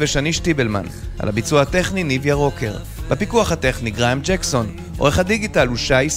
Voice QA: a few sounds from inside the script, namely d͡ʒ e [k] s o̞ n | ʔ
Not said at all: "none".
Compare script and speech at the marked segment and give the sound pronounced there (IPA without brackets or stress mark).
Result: k